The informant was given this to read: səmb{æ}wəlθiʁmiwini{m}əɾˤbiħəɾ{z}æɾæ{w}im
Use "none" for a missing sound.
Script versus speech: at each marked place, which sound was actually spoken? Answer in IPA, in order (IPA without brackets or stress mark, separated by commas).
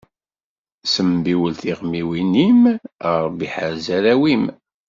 i, m, z, w